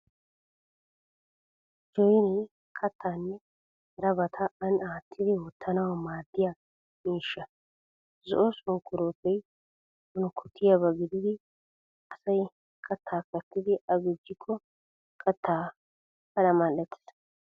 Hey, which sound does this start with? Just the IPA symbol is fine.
d͡ʒ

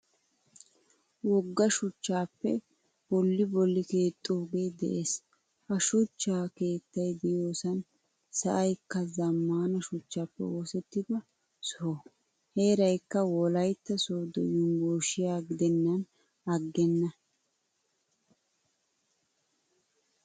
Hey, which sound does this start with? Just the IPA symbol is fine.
w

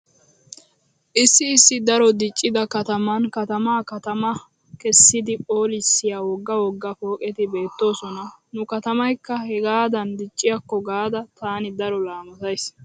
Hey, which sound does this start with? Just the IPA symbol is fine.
ʔ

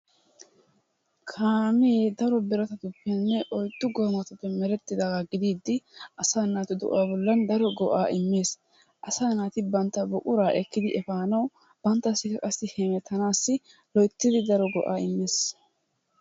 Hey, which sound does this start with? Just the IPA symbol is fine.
kʰ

